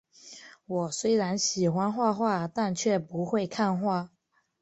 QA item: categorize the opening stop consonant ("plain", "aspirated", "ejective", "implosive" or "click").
plain